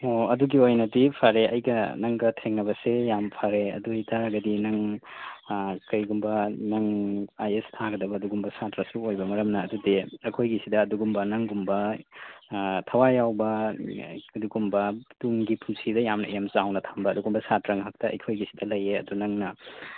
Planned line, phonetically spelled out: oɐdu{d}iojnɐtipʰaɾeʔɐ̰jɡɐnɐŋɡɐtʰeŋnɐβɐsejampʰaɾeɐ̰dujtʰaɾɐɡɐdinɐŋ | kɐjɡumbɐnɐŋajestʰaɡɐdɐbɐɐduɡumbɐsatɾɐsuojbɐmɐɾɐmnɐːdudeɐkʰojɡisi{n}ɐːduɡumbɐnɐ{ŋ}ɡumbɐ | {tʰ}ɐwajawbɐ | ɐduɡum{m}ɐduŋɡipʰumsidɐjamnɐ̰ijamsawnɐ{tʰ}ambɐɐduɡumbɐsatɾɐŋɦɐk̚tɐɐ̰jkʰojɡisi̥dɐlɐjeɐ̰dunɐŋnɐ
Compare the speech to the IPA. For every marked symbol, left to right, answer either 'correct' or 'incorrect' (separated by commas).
incorrect, incorrect, correct, correct, incorrect, correct